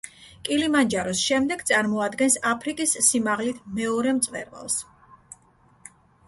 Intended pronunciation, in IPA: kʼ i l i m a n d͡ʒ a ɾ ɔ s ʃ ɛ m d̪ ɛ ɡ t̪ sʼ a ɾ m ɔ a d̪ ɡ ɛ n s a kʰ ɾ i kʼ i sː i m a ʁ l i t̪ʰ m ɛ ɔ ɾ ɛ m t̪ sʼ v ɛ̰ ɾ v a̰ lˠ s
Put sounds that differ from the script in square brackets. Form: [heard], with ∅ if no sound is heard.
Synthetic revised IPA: kʼ i l i m a n d͡ʒ a ɾ ɔ s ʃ ɛ m d̪ ɛ ɡ t̪ sʼ a ɾ m ɔ a d̪ ɡ ɛ n s a [pʰ] ɾ i kʼ i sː i m a ʁ l i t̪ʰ m ɛ ɔ ɾ ɛ m t̪ sʼ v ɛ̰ ɾ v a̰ lˠ s

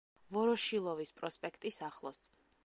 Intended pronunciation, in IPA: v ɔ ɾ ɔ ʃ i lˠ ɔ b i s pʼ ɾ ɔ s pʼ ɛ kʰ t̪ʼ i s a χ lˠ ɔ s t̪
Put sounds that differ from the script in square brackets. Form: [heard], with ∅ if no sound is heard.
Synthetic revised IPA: v ɔ ɾ ɔ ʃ i lˠ ɔ [v] i s pʼ ɾ ɔ s pʼ ɛ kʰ t̪ʼ i s a χ lˠ ɔ s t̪

